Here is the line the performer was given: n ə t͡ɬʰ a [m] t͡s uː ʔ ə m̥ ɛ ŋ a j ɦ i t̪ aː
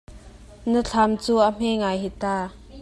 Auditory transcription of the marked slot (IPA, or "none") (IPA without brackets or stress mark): m